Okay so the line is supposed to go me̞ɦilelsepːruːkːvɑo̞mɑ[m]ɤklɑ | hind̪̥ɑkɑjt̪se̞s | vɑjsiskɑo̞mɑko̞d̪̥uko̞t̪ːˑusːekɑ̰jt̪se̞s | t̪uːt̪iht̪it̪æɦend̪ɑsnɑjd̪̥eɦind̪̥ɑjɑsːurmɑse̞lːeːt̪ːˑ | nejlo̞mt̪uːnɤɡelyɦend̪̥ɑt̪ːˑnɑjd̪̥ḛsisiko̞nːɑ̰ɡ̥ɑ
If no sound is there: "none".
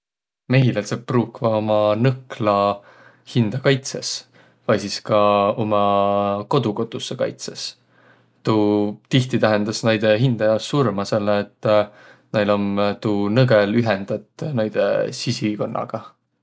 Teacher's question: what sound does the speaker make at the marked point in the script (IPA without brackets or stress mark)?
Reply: n